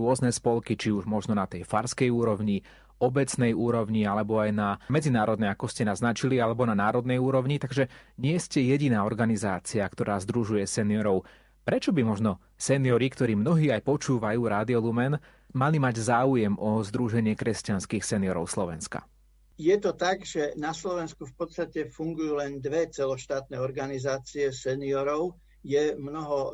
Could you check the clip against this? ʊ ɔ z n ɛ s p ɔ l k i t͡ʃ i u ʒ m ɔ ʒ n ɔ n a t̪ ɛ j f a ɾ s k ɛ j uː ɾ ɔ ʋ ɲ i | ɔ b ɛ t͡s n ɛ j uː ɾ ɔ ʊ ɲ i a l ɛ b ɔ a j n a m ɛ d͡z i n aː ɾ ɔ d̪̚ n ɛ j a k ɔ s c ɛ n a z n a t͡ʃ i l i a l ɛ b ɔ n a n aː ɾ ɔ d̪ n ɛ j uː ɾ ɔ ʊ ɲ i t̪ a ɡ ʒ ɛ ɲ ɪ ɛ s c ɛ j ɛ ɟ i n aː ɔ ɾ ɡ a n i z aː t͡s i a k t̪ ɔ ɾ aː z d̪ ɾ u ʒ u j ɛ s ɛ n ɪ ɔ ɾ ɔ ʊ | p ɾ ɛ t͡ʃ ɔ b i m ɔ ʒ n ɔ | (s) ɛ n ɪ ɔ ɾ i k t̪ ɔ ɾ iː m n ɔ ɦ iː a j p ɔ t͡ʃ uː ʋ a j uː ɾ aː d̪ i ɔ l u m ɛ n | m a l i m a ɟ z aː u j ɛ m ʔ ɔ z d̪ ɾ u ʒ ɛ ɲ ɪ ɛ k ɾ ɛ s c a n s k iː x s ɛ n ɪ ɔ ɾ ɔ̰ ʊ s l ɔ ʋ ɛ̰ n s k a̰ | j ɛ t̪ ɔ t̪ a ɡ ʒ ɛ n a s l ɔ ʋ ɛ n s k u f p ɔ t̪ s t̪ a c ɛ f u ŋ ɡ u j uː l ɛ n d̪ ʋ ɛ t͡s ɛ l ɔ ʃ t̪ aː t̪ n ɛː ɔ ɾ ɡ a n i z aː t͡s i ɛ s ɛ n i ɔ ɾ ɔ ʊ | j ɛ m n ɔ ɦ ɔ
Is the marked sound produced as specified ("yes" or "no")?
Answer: yes